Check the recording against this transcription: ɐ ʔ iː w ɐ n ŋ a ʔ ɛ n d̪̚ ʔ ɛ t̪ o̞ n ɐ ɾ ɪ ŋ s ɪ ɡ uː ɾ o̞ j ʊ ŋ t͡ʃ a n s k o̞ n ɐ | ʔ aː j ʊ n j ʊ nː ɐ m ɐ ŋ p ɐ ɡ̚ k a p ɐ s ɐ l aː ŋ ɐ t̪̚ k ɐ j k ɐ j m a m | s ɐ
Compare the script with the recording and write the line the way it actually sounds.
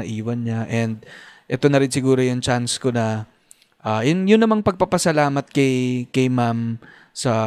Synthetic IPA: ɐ ʔ iː w ɐ n ɲ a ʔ ɛ n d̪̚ ʔ ɛ t̪ o̞ n ɐ ɾ ɪ n s ɪ ɡ uː ɾ o̞ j ʊ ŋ t͡ʃ a n s k o̞ n ɐ | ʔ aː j ʊ n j ʊ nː ɐ m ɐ ŋ p ɐ ɡ̚ p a p ɐ s ɐ l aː m ɐ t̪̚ k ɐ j k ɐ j m a m | s ɐ